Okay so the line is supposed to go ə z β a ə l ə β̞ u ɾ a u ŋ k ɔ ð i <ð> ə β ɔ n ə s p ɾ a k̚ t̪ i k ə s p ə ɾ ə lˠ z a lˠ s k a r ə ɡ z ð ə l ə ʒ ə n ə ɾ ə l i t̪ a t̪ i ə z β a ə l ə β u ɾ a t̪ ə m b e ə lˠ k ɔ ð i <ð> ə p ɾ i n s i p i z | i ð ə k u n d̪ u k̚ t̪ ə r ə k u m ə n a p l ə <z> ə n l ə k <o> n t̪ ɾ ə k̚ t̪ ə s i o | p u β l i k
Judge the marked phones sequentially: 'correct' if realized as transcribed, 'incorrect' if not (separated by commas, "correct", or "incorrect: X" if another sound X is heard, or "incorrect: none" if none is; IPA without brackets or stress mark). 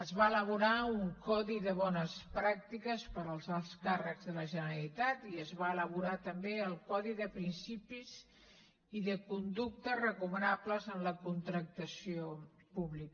correct, correct, correct, incorrect: u